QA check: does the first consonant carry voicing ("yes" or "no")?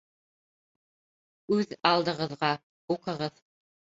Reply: yes